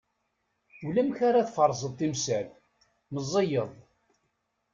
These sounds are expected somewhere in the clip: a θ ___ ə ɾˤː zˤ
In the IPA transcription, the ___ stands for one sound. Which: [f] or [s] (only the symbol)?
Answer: f